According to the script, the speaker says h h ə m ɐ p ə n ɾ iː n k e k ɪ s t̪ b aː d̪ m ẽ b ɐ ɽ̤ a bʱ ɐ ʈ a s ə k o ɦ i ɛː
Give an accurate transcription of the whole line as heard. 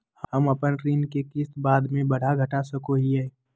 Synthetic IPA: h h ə m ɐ p ə n ɾ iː n k e k ɪ s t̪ b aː d̪ m ẽ b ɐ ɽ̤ a ɡʱ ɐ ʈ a s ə k o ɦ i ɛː